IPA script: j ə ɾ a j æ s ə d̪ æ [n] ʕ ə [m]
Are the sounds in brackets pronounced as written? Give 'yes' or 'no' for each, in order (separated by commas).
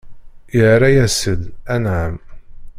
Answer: yes, yes